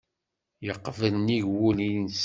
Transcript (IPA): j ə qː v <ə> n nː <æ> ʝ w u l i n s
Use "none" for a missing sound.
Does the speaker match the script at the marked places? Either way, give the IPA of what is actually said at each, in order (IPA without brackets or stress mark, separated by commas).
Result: ə, i